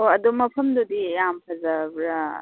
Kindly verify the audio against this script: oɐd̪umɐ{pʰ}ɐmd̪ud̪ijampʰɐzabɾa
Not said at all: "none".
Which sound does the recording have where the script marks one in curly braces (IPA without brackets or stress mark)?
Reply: pʰ